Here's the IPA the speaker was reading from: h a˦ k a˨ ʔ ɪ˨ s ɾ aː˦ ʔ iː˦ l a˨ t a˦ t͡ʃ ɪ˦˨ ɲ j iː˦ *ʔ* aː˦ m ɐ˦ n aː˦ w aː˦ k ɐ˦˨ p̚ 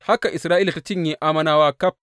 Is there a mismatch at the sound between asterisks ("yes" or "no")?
no